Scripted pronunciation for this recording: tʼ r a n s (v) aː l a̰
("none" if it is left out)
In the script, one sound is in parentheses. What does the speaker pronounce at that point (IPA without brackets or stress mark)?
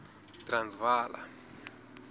v